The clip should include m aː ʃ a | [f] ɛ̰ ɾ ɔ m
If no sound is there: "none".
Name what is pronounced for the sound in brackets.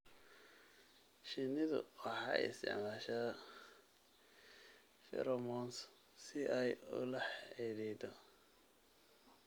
f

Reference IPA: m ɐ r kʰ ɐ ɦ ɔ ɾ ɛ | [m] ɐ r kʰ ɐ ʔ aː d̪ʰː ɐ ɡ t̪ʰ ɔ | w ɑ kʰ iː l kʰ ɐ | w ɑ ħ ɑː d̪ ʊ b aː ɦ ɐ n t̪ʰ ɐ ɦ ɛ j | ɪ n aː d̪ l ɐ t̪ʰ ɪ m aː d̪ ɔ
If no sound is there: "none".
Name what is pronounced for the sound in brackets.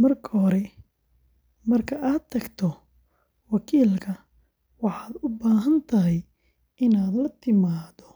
m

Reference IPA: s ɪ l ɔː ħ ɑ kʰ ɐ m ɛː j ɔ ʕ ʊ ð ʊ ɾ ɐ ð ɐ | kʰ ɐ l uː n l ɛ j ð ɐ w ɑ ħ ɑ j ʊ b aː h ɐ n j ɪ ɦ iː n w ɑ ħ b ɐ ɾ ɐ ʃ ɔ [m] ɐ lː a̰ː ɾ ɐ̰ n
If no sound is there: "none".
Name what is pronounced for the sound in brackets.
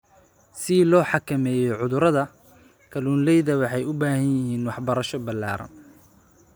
b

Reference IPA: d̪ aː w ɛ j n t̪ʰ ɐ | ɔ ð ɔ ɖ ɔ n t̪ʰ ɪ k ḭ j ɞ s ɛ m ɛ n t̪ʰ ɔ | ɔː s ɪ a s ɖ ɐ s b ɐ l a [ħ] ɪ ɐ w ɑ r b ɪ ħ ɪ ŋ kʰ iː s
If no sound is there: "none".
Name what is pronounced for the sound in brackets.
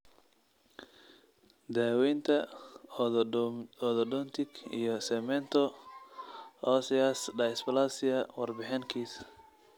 s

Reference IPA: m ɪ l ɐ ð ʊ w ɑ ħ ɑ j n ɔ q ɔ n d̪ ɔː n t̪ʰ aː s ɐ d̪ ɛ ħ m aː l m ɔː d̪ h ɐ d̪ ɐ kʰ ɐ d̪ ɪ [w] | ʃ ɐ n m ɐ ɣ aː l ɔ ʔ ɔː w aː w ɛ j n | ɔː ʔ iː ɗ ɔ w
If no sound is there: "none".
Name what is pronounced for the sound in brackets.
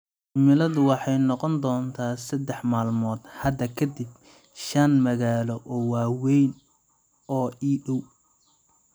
b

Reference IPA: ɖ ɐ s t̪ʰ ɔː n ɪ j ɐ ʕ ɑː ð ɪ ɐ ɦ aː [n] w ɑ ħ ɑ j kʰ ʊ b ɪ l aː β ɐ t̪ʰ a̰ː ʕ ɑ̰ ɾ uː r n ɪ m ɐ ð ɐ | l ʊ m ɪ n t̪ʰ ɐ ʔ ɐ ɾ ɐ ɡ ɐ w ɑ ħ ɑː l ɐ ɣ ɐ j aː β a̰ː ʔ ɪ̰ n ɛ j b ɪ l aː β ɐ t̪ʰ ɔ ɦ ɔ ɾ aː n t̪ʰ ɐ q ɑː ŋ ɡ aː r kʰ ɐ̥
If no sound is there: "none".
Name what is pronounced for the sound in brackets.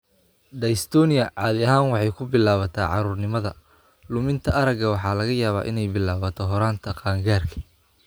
n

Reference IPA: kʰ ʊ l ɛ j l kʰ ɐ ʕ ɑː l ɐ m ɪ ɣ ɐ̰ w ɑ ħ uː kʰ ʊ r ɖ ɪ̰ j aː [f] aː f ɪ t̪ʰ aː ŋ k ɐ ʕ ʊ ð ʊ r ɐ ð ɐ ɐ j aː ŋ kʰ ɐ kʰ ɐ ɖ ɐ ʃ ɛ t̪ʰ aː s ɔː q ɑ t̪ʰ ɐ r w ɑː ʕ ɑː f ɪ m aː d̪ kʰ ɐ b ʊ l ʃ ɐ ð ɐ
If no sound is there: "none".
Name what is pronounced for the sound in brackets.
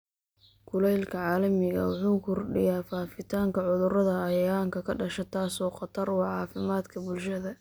f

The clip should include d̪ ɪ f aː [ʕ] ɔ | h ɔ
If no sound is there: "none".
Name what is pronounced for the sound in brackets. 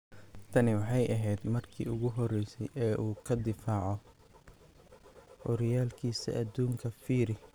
ʕ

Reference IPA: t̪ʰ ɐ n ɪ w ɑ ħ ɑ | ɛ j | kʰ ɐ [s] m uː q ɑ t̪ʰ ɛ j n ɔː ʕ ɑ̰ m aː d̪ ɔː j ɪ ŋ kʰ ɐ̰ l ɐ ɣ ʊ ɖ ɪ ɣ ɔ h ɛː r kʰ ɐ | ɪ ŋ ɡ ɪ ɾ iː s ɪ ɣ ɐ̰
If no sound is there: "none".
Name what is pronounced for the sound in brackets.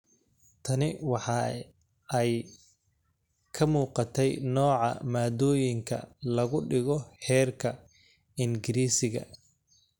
none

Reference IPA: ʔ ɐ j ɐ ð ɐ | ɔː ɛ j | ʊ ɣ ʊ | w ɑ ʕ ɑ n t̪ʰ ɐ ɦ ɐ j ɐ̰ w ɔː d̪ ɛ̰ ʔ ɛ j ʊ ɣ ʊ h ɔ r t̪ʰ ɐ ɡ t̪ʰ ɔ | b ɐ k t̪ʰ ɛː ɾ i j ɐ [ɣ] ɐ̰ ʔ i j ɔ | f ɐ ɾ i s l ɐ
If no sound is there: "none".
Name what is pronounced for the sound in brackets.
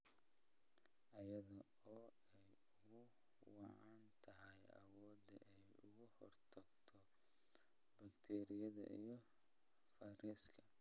ð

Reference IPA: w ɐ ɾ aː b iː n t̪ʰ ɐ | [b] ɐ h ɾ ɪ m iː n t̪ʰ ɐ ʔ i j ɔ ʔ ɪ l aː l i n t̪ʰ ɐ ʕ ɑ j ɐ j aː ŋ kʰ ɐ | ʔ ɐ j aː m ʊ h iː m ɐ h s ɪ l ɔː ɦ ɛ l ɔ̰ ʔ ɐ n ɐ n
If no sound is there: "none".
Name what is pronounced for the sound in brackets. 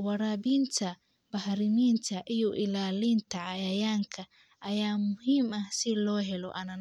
b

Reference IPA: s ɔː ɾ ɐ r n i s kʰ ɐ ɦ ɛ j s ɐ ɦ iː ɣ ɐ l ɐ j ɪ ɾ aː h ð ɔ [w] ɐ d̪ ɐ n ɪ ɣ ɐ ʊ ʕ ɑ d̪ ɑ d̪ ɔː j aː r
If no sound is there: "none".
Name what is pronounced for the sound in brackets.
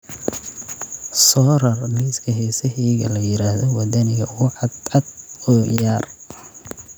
w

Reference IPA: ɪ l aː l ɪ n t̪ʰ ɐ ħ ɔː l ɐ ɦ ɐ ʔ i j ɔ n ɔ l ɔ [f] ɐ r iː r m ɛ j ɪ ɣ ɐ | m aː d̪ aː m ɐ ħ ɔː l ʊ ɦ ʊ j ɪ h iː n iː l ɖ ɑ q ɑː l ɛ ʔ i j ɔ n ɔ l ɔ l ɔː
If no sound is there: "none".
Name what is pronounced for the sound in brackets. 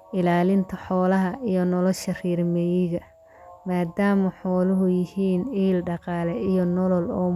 ʃ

